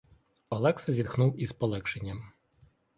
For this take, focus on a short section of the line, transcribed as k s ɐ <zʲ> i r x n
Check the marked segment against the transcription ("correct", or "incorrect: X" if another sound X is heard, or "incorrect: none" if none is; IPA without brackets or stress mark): correct